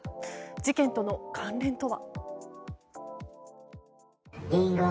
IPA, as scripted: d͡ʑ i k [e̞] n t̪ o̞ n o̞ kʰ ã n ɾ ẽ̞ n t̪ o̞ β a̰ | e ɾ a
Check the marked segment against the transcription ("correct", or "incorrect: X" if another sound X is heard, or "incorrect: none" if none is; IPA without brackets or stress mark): incorrect: ẽ̞